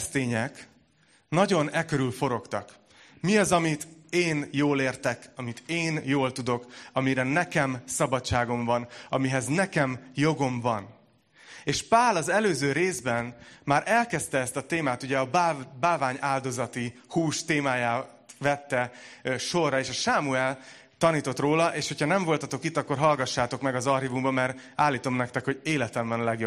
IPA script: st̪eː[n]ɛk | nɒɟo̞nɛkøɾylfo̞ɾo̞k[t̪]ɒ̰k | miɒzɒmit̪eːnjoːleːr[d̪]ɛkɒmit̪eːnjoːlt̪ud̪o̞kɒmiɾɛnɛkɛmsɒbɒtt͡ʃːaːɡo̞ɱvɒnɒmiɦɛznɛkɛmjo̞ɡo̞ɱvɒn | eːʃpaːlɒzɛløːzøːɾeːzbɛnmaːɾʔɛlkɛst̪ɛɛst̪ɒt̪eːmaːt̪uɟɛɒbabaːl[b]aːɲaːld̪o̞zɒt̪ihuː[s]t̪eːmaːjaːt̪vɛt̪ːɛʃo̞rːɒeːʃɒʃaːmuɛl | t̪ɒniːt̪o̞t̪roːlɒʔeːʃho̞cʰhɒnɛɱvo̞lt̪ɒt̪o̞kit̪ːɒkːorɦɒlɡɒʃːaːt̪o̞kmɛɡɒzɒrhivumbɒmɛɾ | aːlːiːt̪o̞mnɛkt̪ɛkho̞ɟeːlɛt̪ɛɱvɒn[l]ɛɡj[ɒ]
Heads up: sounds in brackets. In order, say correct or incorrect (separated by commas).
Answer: incorrect, correct, incorrect, incorrect, incorrect, correct, incorrect